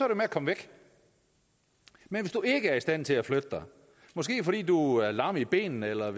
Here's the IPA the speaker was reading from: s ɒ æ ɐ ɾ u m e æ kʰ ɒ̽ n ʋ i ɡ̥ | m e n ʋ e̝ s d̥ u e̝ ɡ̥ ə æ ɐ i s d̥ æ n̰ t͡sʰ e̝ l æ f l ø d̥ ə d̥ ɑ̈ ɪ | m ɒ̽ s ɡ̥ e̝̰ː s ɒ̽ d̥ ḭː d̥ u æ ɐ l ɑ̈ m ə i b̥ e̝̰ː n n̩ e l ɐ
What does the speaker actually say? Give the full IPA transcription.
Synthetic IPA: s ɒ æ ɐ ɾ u m e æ kʰ ɒ̽ m ʋ e ɡ̥ | m e n ʋ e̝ s d̥ u e̝ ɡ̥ ə æ ɐ i s d̥ æ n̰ t͡sʰ e̝ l æ f l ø d̥ ə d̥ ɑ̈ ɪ | m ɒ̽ s ɡ̥ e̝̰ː f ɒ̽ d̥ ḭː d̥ u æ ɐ l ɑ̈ m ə i b̥ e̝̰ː n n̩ e l ɐ

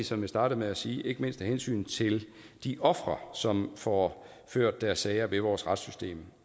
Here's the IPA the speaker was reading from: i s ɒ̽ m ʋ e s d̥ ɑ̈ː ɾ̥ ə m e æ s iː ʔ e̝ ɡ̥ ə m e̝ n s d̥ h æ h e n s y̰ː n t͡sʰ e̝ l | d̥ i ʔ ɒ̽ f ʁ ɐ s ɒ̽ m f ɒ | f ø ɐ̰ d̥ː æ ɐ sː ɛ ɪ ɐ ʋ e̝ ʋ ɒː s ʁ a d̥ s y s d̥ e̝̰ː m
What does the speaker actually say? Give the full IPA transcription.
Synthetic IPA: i s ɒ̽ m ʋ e s d̥ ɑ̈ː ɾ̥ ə m e æ s iː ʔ e̝ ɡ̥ ə m e̝ n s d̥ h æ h e n s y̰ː n t͡sʰ e̝ l | d̥ i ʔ ɒ̽ f ʁ ɐ s ɒ̽ m f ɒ | f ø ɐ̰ d̥ː æ ɐ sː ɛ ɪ ɐ ʋ e̝ ʋ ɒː s ʁ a d̥ s y s d̥ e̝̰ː m

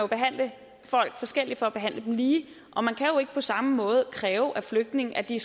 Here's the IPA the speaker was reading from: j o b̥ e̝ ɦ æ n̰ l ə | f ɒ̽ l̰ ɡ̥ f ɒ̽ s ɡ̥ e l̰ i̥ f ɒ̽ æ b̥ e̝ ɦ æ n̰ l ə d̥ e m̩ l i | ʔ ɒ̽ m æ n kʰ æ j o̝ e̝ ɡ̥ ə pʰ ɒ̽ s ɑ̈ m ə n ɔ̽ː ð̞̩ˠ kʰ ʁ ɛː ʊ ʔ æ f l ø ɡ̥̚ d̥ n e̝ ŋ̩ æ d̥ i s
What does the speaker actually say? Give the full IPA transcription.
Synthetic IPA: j o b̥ e̝ ɦ æ n̰ l ə | f ɒ̽ l̰ ɡ̥ f ɒ̽ s ɡ̥ e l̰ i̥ f ɒ̽ æ b̥ e̝ ɦ æ n̰ l ə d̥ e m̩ l iː | ʔ ɒ̽ m æ n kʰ æ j o̝ e̝ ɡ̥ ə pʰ ɒ̽ s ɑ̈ m ə m ɔ̽ː ð̞̩ˠ kʰ ʁ ɛː ʊ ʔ æ f l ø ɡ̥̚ d̥ n e̝ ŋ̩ æ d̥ i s

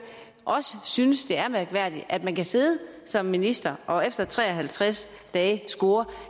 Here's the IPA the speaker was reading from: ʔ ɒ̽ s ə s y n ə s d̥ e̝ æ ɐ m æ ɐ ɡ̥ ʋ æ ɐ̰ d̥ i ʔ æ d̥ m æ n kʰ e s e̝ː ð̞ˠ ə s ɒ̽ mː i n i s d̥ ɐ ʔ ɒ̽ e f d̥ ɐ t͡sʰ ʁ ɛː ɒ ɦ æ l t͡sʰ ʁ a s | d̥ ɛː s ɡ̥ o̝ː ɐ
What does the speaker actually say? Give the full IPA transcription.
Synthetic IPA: ʔ ɒ̽ s ə s y n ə s d̥ e̝ æ ɐ m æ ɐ ɡ̥ ʋ æ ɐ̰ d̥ i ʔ æ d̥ m æ n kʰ æ s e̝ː ð̞ˠ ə s ɒ̽ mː i n i s d̥ ɐ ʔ ɒ̽ e f d̥ ɐ t͡sʰ ʁ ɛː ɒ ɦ æ l t͡sʰ ʁ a s | d̥ ɛː s ɡ̥ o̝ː ɐ

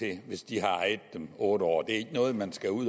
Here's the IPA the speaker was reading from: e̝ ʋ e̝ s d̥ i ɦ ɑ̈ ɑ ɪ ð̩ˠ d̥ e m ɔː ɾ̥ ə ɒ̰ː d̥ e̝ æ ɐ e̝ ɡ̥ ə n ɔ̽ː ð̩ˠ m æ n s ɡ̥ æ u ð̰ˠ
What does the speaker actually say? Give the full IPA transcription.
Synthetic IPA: e̝ ʋ e̝ s d̥ i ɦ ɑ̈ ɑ ɪ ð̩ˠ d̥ e m ɔː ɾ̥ ə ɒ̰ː d̥ e̝ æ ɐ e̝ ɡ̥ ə n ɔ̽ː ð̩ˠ m æ n s ɡ̥ æ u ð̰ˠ

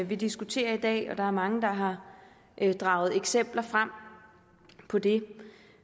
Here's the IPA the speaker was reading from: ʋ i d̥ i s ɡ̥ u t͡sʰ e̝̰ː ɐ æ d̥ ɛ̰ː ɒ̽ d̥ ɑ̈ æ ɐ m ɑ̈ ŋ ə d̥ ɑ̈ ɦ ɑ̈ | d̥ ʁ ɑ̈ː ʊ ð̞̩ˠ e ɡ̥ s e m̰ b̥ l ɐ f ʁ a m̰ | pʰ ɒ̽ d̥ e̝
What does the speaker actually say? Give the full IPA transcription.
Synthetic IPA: ʋ i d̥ i s ɡ̥ u t͡sʰ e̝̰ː ɐ i d̥ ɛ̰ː ɒ̽ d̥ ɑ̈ æ ɐ m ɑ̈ ŋ ə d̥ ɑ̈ ɦ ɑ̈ | d̥ ʁ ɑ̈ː ʊ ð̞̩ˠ e ɡ̥ s e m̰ b̥ l ɐ f ʁ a m̰ | pʰ ɒ̽ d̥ e̝

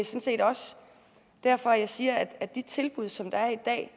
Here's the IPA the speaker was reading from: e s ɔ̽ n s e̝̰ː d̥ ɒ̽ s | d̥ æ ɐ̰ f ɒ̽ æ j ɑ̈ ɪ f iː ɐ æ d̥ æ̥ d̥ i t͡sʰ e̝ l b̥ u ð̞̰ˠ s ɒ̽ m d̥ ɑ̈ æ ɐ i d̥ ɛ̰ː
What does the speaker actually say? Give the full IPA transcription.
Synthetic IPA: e s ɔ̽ n s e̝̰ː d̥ ɒ̽ s | d̥ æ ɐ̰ f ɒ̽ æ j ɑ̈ ɪ s iː ɐ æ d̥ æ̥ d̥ i t͡sʰ e̝ l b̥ u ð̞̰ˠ s ɒ̽ m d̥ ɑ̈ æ ɐ i d̥ ɛ̰ː

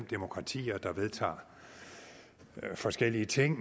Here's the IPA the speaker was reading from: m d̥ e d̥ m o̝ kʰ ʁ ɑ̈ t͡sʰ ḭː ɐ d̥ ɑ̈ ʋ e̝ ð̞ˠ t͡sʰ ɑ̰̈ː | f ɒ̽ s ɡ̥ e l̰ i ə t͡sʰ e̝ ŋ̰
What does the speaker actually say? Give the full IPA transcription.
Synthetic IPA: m d̥ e m o̝ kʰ ʁ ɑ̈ t͡sʰ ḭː ɐ d̥ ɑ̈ ʋ e̝ ð̞ˠ t͡sʰ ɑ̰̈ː | f ɒ̽ s ɡ̥ e l̰ i ə t͡sʰ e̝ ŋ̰

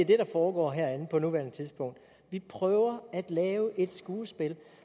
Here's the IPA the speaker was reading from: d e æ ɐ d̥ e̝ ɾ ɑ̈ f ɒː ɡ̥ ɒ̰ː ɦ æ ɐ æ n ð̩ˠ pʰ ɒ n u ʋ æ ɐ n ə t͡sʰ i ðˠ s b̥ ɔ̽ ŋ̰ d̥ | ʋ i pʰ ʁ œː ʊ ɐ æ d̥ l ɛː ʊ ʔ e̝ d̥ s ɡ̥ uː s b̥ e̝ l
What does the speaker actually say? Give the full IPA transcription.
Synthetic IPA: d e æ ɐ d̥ e̝ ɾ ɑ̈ f ɒː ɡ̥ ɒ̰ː ɦ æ ɐ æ n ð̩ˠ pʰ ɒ n u ʋ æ ɐ n ə t͡sʰ i ðˠ s b̥ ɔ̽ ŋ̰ d̥ | ʋ i pʰ ʁ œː ʊ ɐ æ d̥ l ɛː ʊ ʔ e̝ d̥ s ɡ̥ uː s b̥ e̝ l

